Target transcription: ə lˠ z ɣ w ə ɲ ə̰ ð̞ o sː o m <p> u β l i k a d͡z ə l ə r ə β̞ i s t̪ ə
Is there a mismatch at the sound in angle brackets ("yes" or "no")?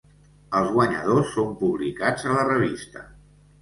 no